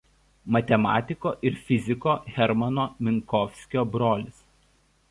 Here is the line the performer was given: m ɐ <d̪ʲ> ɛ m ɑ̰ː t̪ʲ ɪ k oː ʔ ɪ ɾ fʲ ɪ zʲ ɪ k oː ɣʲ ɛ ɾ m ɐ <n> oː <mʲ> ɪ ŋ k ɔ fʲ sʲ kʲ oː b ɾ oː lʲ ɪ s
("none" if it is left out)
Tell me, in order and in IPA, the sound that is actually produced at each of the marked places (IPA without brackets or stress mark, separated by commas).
t̪ʲ, n, mʲ